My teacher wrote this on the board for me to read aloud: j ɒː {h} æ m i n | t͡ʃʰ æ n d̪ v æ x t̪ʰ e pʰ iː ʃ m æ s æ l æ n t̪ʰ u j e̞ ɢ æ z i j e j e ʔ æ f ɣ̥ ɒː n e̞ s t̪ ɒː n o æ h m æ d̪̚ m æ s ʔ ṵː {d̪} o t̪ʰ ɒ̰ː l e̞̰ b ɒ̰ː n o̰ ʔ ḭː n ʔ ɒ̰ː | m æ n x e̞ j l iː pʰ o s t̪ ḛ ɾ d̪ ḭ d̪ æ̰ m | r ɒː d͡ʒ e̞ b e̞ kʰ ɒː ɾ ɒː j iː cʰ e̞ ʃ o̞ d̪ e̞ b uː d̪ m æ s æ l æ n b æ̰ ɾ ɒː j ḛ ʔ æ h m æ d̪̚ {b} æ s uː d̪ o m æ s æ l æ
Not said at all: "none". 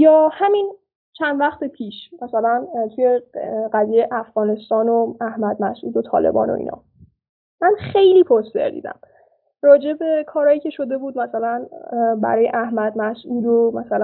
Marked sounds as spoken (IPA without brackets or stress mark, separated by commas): h, d̪, m